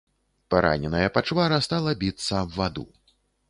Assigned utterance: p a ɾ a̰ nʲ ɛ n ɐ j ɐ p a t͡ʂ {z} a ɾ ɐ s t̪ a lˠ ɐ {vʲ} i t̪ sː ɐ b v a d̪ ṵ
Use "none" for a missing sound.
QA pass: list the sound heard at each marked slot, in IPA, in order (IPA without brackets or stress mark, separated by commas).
v, bʲ